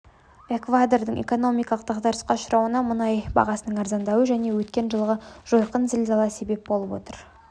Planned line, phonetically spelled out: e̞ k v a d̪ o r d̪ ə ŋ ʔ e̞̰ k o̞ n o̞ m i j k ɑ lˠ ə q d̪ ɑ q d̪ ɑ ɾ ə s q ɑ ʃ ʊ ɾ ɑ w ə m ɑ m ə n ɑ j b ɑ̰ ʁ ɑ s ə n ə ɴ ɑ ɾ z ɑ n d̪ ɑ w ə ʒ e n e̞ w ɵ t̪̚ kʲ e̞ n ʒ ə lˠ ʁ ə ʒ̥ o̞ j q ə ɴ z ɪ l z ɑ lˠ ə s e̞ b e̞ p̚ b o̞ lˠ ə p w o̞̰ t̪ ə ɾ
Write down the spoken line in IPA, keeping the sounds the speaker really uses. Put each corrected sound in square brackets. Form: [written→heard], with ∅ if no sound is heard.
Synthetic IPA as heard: e̞ k v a d̪ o r d̪ ə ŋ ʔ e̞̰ k o̞ n o̞ m i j k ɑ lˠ ə q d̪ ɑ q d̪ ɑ ɾ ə s q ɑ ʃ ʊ ɾ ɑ w ə [m→n] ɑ m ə n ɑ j b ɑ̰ ʁ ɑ s ə n ə ɴ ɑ ɾ z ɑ n d̪ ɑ w ə ʒ [e→æ] n e̞ w ɵ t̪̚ kʲ e̞ n ʒ ə lˠ ʁ ə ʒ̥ o̞ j q ə [ɴ→n] z ɪ l z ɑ lˠ [ə→ɑ] s e̞ b e̞ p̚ b o̞ lˠ ə p w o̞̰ t̪ ə ɾ